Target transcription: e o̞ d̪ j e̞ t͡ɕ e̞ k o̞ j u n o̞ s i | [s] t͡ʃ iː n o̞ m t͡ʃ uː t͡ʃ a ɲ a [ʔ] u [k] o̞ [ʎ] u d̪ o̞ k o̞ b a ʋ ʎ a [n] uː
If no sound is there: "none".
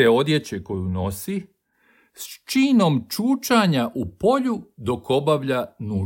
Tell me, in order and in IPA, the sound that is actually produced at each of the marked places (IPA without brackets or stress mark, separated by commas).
s, ʔ, p, ʎ, n